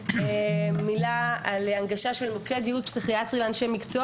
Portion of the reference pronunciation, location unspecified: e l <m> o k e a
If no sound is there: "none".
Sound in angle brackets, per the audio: m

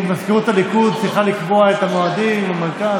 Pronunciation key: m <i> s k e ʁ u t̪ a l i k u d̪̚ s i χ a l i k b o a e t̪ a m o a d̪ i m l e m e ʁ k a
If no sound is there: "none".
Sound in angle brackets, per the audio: a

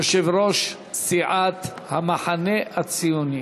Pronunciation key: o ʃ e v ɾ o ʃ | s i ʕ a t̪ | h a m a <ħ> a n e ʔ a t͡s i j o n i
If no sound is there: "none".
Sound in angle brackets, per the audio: ħ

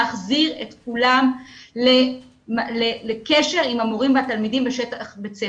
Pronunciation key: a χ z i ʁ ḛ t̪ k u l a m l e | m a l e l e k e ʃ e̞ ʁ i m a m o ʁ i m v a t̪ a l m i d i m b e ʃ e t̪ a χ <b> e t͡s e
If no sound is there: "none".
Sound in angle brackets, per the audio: b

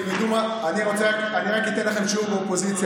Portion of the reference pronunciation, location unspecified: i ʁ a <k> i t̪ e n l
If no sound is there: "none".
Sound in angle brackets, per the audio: k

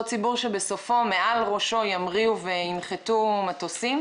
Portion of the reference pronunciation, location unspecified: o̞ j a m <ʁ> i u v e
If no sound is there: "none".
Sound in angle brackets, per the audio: ʁ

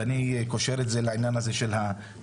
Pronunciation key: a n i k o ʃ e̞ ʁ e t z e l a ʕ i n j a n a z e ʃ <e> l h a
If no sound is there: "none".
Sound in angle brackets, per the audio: e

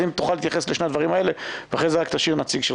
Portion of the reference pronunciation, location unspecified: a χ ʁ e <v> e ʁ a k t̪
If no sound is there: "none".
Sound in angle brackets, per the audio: z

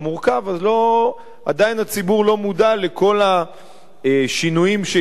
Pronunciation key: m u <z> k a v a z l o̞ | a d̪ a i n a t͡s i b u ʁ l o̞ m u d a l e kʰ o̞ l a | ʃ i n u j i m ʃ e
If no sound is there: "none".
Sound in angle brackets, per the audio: ʁ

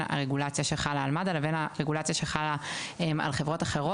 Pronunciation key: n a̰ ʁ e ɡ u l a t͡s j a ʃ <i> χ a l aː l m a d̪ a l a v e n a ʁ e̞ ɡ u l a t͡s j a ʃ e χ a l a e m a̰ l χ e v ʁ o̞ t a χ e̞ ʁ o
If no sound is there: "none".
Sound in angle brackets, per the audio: e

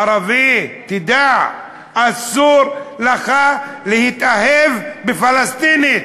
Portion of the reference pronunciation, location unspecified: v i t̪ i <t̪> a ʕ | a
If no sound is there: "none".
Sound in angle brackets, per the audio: d̪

